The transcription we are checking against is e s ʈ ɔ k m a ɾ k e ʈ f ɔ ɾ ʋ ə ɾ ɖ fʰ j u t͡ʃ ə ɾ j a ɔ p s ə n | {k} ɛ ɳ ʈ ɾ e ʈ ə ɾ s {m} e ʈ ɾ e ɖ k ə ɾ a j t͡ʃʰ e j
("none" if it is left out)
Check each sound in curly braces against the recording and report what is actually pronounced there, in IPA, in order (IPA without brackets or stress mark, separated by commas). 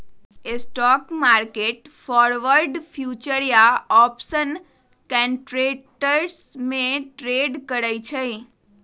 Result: k, m